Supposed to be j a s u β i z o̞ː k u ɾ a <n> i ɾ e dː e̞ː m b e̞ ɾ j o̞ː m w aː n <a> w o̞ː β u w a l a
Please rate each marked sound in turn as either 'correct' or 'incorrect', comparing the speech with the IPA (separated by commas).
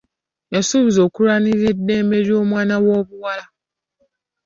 correct, correct